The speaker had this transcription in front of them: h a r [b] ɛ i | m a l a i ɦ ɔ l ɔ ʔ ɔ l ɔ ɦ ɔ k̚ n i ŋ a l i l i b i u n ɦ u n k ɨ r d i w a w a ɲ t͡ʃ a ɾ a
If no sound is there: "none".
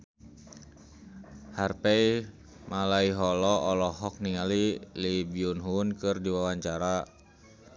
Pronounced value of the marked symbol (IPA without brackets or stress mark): p